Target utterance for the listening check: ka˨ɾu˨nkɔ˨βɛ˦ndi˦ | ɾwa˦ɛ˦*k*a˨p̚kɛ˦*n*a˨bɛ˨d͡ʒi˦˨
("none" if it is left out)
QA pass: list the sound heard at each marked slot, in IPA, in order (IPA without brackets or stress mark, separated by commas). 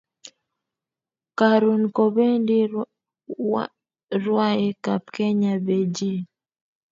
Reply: k, ɲ